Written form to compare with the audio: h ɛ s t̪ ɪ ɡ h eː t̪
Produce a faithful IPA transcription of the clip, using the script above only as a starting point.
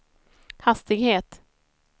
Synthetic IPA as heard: h a s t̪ ɪ ɡ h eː t̪